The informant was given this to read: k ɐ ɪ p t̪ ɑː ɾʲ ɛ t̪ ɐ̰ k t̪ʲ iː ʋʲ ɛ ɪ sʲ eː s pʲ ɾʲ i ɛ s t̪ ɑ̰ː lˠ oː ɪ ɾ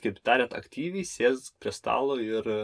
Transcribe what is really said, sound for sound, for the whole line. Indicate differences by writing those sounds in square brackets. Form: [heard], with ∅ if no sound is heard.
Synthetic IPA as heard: k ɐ ɪ p t̪ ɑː ɾʲ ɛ t̪ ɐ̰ k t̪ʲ iː ʋʲ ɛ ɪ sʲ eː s pʲ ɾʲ i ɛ s t̪ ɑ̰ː lˠ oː ɪ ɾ